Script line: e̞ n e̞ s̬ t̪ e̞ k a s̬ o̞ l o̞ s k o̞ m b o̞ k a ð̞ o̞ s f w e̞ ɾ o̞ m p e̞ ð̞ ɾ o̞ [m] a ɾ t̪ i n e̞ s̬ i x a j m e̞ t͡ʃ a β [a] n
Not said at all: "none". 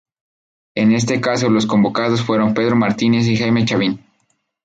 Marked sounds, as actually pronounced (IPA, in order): m, i

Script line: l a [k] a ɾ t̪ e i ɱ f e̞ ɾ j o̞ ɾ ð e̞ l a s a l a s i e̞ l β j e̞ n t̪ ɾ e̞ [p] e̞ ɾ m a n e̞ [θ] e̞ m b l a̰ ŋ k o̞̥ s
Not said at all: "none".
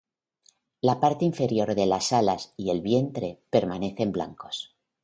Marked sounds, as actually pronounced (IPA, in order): p, p, θ

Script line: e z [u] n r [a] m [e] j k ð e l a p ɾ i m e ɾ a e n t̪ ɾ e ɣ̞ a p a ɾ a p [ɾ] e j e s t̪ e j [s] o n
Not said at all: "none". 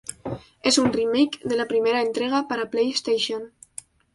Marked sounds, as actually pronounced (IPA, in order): u, i, e, l, ʃ

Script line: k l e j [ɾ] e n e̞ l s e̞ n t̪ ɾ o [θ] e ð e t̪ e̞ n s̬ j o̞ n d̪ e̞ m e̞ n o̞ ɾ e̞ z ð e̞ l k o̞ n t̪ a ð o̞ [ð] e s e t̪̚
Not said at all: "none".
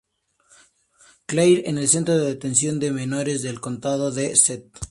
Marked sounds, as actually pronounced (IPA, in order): ɾ, ð, ð

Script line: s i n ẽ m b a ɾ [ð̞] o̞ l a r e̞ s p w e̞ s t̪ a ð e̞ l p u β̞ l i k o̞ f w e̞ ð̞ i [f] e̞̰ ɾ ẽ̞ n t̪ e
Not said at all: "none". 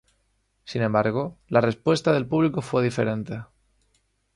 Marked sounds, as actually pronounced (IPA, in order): ɣ̞, f

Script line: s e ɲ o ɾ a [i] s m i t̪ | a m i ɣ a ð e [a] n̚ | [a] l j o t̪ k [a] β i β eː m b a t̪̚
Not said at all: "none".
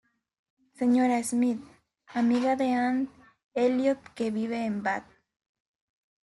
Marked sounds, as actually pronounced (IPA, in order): e, a, e, e

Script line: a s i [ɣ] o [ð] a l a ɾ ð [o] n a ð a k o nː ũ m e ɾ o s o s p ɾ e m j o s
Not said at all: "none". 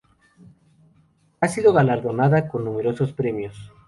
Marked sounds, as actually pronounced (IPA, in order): ð, ɣ, o

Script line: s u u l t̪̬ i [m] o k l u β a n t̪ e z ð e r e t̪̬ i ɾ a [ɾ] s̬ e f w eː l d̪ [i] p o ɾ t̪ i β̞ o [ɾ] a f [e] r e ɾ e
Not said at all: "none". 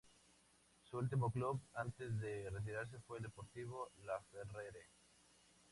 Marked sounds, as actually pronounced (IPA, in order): m, ɾ, e, l, e

